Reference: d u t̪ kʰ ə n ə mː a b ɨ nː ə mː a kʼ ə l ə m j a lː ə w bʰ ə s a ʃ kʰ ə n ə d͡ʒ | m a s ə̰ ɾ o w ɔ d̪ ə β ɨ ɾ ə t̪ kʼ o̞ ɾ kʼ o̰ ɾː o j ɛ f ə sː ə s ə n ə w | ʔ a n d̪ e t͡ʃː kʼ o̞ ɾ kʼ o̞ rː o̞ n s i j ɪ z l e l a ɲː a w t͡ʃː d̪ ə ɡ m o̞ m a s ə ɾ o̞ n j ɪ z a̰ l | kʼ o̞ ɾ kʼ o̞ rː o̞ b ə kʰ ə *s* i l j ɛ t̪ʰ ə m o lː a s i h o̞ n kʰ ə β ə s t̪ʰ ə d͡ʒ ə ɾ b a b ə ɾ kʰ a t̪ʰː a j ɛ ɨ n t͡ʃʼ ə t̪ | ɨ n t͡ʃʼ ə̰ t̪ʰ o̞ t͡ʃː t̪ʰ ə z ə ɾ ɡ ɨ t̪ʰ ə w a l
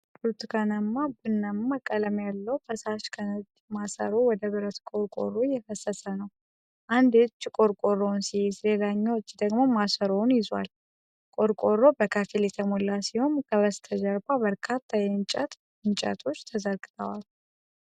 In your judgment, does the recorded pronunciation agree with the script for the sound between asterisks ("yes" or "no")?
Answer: no